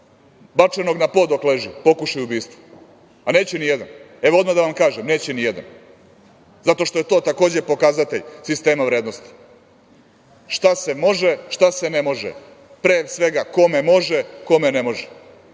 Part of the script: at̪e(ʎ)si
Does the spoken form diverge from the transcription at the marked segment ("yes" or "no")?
no